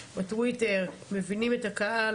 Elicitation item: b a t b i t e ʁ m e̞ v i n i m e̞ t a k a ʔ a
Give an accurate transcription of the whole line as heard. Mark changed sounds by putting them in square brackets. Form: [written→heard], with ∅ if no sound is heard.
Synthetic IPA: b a t [b→w] i t e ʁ m e̞ v i n i m e̞ t a k a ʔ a